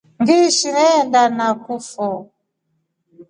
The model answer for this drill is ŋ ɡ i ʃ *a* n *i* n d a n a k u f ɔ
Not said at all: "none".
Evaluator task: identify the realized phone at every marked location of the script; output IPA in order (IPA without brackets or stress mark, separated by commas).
i, ɛ